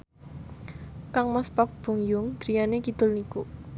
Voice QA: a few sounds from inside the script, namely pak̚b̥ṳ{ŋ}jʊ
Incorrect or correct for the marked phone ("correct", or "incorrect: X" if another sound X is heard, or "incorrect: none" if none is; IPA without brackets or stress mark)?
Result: correct